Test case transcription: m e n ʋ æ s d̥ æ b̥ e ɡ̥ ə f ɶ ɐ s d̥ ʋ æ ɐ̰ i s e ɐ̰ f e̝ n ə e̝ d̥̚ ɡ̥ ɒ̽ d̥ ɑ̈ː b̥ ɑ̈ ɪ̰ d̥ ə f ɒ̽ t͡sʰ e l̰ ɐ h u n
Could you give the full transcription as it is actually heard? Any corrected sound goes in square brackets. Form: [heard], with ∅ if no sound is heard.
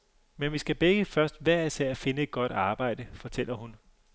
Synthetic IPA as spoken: m e n ʋ [i] s [ɡ̥] æ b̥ e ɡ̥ ə f ɶ ɐ s d̥ ʋ æ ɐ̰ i s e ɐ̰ f e̝ n ə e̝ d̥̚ ɡ̥ ɒ̽ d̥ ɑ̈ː b̥ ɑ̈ ɪ̰ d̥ ə f ɒ̽ t͡sʰ e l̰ ɐ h u n